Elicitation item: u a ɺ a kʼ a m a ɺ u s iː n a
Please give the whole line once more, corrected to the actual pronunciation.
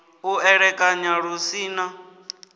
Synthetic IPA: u ɛ ɺ ɛ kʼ a ɲ a ɺ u s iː n a